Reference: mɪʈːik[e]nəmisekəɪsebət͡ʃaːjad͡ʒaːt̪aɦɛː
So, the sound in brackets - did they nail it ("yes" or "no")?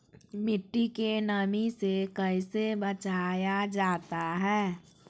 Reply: yes